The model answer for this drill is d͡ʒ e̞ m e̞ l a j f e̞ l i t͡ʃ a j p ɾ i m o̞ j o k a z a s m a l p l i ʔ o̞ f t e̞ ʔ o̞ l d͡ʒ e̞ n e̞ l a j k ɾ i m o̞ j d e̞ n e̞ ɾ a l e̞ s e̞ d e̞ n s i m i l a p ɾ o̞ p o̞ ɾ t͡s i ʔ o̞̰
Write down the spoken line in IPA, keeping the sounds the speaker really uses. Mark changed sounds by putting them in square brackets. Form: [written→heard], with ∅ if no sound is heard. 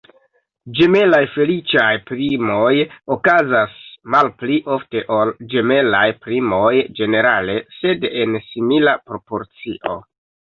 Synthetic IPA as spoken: d͡ʒ e̞ m e̞ l a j f e̞ l i t͡ʃ a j p ɾ i m o̞ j o k a z a s m a l p l i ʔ o̞ f t e̞ ʔ o̞ l d͡ʒ e̞ [n→m] e̞ l a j [k→p] ɾ i m o̞ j [d→d͡ʒ] e̞ n e̞ ɾ a l e̞ s e̞ d e̞ n s i m i l a p ɾ o̞ p o̞ ɾ t͡s i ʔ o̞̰